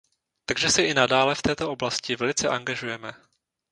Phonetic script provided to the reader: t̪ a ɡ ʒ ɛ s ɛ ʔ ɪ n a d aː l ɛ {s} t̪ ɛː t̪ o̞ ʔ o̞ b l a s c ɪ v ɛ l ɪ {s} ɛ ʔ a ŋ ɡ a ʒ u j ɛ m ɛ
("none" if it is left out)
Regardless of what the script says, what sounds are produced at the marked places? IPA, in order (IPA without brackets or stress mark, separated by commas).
f, t͡s